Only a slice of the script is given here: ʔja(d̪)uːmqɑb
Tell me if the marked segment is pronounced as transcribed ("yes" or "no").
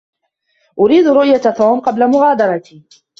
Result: no